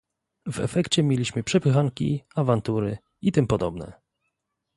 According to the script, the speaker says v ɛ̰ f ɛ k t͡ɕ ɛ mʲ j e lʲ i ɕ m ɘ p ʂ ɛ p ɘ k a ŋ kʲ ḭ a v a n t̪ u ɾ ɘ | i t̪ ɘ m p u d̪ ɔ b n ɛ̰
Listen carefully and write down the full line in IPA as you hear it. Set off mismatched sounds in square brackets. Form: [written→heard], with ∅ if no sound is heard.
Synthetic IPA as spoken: v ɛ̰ f ɛ k t͡ɕ ɛ mʲ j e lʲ i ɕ m ɘ p ʂ ɛ p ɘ [k→x] a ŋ kʲ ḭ a v a n t̪ u ɾ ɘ | i t̪ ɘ m p [u→ɔ] d̪ ɔ b n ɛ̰